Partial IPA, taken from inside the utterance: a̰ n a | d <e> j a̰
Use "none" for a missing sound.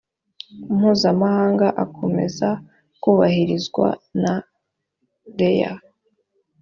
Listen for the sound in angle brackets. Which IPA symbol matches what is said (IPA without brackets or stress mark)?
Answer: e